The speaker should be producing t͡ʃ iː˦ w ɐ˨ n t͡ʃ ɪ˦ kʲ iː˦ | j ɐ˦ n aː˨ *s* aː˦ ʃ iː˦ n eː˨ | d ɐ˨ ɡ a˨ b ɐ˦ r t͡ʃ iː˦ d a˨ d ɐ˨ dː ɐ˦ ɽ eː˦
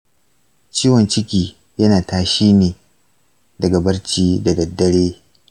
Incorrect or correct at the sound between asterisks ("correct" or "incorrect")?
incorrect